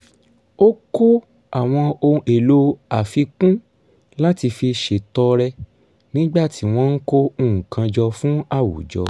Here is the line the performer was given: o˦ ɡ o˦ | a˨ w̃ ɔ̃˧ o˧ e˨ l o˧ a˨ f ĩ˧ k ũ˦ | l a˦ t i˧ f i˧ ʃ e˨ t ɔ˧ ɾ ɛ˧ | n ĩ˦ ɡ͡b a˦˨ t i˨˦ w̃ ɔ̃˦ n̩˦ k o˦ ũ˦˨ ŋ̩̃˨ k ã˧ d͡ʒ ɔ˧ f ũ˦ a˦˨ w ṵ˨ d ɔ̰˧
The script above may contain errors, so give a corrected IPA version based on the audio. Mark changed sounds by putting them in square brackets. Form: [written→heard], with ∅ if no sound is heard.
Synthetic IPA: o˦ [ɡ→k] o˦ | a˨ w̃ ɔ̃˧ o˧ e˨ l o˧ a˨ f [ĩ˧→i˧] k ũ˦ | l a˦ t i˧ f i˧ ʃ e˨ t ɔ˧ ɾ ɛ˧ | n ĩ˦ ɡ͡b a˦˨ t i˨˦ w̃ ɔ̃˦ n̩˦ k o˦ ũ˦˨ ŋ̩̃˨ k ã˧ d͡ʒ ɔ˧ f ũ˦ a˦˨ w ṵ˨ [d→d͡ʒ] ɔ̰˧

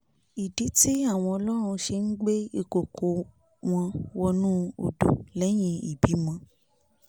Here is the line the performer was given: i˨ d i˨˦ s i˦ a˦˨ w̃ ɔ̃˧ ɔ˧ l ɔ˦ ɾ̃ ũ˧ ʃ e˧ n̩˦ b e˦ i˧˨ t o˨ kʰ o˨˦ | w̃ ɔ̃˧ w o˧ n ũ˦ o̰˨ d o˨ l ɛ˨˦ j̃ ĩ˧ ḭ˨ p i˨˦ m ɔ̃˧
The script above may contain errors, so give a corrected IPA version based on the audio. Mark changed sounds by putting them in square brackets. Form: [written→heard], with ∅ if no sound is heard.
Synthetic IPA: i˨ d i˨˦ [s→t] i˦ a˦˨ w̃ ɔ̃˧ ɔ˧ l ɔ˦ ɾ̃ ũ˧ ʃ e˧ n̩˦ [b→ɡ͡b] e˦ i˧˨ [t→k] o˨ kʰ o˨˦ | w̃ ɔ̃˧ w [o˧→ɔ˧] n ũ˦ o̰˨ d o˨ l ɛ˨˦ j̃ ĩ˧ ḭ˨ [p→b] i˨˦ m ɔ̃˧

